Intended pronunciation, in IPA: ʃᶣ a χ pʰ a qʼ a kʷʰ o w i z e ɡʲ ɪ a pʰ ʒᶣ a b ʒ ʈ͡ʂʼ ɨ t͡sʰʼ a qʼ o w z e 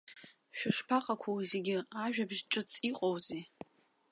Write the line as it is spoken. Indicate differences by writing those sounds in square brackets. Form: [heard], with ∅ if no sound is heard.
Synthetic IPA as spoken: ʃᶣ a [ʂ] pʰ a qʼ a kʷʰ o w i z e ɡʲ ɪ a [∅] ʒᶣ a b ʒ ʈ͡ʂʼ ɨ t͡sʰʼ [i] qʼ o w z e